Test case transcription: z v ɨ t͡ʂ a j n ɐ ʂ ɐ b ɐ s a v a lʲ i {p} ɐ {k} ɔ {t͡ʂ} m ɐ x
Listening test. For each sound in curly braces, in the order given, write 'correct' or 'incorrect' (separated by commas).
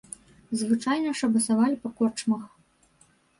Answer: correct, correct, correct